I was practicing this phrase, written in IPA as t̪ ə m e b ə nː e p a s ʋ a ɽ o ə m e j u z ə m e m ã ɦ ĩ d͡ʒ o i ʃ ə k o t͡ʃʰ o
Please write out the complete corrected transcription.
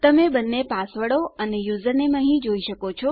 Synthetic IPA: t̪ ə m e b ə nː e p a s ʋ ə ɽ o ə n e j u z ə n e m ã ɦ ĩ d͡ʒ o i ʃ ə k o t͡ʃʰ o